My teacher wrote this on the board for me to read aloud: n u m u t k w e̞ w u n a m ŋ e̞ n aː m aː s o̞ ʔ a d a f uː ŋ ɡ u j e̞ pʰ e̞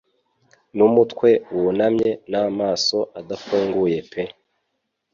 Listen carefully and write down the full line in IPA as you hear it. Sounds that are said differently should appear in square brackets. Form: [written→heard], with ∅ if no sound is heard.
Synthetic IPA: n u m u t k w e̞ w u n a m [ŋ→ɲ] e̞ n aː m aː s o̞ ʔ a d a f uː ŋ ɡ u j e̞ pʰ e̞